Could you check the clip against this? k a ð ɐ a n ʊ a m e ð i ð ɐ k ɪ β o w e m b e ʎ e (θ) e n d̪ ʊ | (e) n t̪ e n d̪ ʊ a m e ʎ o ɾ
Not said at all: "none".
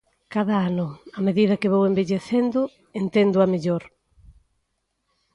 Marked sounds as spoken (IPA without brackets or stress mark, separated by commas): θ, e